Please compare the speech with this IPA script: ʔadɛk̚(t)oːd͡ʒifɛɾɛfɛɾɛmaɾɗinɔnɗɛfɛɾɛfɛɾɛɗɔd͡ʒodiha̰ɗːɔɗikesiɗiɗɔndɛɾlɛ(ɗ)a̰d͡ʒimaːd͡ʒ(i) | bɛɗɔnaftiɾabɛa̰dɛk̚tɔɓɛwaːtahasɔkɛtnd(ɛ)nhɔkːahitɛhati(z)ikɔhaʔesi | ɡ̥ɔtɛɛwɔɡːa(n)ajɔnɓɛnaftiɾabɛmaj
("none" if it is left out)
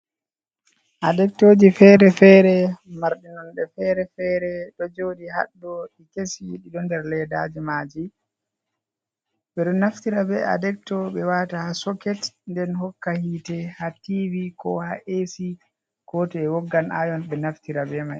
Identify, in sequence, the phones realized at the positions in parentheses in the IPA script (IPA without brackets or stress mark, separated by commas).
t, d, i, ɛ, v, n